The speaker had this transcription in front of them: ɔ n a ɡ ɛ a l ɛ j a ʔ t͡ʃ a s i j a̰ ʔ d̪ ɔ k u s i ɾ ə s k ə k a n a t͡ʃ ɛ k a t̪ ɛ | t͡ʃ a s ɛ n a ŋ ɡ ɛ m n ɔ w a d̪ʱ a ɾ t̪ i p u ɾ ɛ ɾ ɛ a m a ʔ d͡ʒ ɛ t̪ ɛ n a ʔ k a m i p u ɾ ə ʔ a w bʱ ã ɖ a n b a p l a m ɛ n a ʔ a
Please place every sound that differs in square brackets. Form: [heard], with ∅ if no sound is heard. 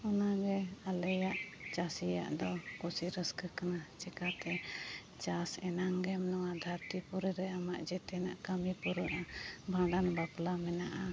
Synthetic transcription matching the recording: ɔ n a ɡ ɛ a l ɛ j a ʔ t͡ʃ a s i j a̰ ʔ d̪ ɔ k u s i ɾ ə s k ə k a n a t͡ʃ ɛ k a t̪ ɛ | t͡ʃ a s ɛ n a ŋ ɡ ɛ m n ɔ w a d̪ʱ a ɾ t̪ i p u ɾ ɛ ɾ ɛ a m a ʔ d͡ʒ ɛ t̪ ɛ n a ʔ k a m i p u ɾ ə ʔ a [∅] bʱ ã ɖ a n b a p l a m ɛ n a ʔ a